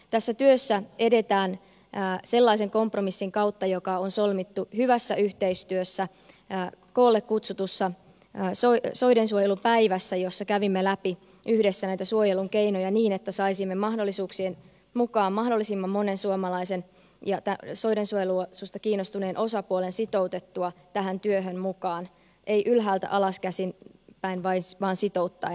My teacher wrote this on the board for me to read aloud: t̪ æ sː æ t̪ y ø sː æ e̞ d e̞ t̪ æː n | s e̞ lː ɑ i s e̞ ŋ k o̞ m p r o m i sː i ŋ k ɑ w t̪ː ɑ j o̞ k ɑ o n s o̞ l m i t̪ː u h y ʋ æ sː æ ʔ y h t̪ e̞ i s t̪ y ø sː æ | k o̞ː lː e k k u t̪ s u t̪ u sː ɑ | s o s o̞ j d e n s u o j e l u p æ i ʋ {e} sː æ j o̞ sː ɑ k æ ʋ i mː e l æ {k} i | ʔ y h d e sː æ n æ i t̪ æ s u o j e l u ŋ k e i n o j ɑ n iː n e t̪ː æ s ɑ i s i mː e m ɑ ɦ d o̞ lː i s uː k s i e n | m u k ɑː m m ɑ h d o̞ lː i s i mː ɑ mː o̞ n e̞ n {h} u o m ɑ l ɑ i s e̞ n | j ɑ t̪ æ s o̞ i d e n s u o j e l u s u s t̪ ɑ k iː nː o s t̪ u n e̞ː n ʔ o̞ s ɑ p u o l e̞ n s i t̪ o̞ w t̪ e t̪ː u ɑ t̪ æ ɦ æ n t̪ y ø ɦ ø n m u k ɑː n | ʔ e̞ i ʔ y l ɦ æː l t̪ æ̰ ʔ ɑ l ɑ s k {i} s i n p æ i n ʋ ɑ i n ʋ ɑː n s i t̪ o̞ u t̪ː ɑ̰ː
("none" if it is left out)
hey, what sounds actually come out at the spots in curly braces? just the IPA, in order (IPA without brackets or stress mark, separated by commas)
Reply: æ, p, s, æ